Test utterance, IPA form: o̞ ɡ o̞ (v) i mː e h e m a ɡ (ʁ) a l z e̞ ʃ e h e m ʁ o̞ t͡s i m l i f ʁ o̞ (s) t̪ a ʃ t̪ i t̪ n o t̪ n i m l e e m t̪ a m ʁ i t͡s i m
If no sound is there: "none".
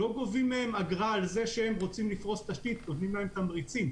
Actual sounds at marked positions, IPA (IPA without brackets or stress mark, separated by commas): v, ʁ, s